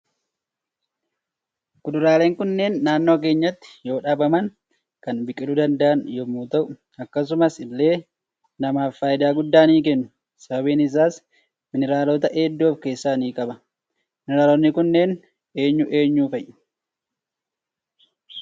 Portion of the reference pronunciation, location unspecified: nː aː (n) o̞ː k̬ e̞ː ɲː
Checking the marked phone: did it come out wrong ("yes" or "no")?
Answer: yes